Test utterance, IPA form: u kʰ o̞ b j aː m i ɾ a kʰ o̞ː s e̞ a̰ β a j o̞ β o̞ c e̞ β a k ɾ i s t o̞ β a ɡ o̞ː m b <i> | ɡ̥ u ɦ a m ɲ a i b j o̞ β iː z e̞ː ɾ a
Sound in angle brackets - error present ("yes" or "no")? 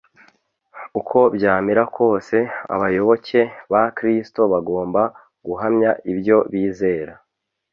yes